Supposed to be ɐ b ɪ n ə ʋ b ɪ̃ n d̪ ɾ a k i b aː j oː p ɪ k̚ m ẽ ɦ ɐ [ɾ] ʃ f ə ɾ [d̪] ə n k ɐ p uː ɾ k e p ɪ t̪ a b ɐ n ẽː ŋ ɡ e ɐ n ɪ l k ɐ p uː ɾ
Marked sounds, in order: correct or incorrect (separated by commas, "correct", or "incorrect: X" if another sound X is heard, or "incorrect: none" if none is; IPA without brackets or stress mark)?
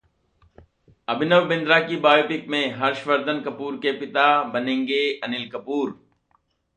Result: correct, correct